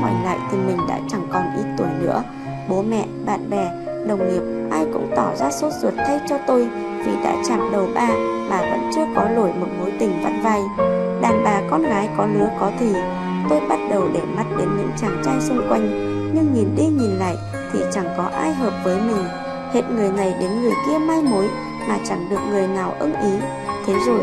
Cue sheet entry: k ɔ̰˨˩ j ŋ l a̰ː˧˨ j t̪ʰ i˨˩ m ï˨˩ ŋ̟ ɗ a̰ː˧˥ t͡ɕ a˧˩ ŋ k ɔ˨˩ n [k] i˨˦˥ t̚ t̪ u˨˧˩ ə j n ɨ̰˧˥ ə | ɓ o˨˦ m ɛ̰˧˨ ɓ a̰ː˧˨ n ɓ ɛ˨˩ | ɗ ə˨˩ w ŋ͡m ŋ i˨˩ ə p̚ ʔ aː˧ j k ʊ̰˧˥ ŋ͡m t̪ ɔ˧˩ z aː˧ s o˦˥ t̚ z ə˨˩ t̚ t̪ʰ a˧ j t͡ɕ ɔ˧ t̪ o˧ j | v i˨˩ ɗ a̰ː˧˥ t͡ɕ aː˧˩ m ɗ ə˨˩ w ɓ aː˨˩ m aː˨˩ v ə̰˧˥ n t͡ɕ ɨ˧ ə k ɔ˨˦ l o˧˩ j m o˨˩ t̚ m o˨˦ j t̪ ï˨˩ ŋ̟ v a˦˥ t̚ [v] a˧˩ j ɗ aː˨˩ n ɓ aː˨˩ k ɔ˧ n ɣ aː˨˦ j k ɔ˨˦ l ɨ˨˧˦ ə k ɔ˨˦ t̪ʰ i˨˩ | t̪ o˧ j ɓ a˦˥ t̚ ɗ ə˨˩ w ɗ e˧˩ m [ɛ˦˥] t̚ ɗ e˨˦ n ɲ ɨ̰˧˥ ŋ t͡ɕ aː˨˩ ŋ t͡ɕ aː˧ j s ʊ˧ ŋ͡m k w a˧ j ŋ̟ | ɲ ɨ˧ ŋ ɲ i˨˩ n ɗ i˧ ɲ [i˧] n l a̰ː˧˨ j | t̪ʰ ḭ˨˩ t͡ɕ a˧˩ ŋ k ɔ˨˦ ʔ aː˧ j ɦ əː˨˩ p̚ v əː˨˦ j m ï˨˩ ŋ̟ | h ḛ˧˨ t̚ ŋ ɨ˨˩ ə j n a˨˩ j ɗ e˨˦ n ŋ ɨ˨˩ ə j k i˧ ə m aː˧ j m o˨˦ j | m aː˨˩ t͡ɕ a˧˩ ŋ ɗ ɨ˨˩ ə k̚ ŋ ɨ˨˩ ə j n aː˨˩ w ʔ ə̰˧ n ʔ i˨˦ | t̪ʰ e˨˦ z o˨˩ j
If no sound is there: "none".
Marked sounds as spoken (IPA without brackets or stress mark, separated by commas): ʔ, v, a˦˥, i˨˩